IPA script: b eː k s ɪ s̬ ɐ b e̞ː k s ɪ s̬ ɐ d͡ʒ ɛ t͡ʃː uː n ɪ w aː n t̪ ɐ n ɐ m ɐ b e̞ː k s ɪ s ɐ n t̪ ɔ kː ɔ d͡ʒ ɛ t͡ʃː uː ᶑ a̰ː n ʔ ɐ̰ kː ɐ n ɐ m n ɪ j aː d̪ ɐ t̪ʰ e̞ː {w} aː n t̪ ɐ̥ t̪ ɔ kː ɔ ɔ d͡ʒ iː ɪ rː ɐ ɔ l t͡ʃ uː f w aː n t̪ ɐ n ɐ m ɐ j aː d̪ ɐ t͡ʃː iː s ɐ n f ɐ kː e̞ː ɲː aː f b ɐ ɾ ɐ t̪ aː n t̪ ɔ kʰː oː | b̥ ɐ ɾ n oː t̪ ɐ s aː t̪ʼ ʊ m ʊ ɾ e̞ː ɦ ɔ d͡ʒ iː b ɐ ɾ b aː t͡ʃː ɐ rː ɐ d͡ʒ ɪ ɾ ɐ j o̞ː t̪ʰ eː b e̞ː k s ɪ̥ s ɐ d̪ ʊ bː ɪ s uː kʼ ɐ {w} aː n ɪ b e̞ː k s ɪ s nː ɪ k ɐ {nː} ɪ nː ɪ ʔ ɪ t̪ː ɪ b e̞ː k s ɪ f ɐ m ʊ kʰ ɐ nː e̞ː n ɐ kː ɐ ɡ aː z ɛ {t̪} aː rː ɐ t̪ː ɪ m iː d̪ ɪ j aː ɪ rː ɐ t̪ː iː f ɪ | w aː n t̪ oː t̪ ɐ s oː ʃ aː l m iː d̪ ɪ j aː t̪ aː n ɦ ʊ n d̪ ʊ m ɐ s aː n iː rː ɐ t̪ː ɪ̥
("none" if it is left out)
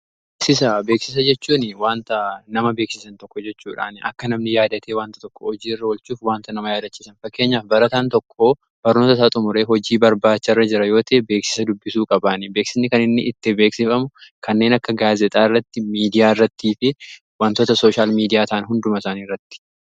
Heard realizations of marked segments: w, b, n, t̪ʼ

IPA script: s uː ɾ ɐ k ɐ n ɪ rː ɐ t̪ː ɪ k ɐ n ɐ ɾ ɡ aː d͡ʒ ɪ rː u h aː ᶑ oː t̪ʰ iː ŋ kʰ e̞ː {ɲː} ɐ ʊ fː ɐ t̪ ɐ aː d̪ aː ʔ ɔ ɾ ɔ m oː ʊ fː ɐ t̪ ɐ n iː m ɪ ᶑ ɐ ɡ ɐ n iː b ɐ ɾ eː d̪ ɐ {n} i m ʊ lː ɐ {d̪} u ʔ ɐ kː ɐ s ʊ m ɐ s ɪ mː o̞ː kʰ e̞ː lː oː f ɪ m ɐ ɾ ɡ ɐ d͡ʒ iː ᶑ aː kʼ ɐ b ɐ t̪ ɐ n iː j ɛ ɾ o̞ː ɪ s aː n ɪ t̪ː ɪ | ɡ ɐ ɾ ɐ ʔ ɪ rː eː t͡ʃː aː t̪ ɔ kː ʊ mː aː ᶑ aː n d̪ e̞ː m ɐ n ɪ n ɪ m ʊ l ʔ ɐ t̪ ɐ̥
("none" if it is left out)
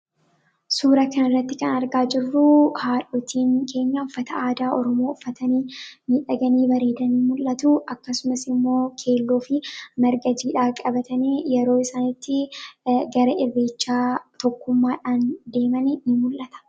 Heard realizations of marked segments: ɲː, n, t̪

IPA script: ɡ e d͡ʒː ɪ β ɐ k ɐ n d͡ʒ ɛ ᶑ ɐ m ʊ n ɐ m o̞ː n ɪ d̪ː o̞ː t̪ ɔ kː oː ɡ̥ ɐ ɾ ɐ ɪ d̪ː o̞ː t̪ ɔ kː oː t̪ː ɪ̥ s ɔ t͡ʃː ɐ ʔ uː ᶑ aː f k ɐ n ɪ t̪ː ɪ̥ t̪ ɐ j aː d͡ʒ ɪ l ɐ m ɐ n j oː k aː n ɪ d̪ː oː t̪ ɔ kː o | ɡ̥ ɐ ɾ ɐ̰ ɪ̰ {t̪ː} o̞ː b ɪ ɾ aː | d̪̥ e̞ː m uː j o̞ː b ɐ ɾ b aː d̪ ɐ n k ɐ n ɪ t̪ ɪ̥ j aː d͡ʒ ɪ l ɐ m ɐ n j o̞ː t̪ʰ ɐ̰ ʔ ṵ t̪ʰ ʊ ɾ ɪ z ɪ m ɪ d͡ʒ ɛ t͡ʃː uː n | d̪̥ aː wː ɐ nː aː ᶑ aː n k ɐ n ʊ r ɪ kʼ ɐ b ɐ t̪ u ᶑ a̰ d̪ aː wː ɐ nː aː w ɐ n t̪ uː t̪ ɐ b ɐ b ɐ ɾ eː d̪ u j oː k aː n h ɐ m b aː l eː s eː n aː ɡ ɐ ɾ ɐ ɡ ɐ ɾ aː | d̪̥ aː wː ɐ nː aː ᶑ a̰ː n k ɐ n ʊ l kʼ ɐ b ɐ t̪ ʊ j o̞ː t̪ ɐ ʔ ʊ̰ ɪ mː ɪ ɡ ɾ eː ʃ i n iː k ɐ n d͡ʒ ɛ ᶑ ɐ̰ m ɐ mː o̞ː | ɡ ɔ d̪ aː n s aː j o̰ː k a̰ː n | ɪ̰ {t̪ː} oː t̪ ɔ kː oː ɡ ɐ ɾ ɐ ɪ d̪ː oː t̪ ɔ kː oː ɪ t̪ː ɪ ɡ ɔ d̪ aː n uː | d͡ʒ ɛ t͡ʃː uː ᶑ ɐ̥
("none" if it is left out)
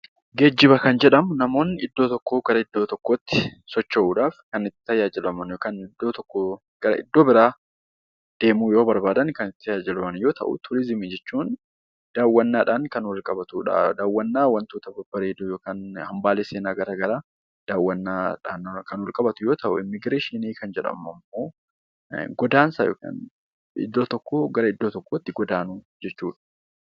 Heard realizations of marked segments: d̪ː, d̪ː

